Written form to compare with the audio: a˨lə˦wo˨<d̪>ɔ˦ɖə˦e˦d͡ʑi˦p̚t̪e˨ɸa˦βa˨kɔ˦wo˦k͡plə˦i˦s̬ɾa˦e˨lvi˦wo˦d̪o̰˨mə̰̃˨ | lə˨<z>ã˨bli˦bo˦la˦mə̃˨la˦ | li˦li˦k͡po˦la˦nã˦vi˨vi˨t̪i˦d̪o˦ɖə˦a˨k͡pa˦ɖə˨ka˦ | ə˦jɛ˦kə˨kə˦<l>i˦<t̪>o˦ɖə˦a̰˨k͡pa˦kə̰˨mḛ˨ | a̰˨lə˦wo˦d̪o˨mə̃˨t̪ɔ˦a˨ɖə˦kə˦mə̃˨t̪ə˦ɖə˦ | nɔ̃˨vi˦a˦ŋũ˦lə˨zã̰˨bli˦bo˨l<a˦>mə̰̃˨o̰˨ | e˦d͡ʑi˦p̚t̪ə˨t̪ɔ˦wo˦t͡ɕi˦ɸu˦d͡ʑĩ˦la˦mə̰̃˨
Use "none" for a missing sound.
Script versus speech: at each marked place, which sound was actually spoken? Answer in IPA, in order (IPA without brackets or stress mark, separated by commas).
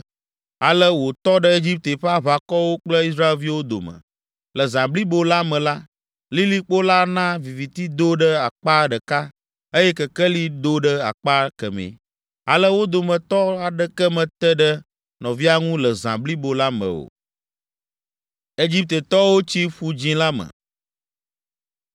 t̪, z, l, d̪, a˦